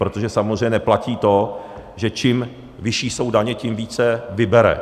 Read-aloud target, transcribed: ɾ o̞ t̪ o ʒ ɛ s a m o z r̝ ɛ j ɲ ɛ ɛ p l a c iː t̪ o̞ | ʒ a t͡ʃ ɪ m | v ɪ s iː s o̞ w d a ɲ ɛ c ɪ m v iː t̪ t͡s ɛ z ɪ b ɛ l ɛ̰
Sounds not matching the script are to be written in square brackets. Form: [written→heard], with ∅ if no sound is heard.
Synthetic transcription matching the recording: ɾ o̞ t̪ o ʒ ɛ s a m o z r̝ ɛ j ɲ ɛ ɛ p l a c iː t̪ o̞ | ʒ [a→ɛ] t͡ʃ ɪ m | v ɪ [s→ʃ] iː s o̞ w d a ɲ ɛ c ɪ m v iː [t̪→∅] t͡s ɛ [z→v] ɪ b ɛ [l→ɾ] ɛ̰